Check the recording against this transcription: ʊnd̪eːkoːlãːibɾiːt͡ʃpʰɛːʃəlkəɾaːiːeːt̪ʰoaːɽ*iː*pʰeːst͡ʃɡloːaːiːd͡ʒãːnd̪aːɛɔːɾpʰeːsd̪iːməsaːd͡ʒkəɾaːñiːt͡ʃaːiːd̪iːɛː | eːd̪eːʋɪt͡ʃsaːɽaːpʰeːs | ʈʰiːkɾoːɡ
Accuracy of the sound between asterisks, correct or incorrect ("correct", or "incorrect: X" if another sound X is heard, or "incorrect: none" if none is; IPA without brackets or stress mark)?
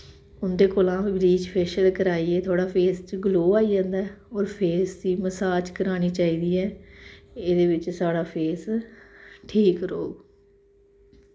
incorrect: aː